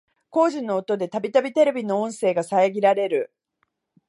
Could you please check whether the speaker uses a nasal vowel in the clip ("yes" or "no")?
yes